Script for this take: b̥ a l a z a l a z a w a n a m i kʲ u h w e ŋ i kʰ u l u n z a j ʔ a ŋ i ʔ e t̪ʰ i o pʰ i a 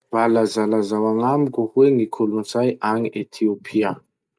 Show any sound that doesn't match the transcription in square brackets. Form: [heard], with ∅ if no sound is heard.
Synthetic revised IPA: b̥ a l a z a l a z a w a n a m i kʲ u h w e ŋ i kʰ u l u n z a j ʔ a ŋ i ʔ e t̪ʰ i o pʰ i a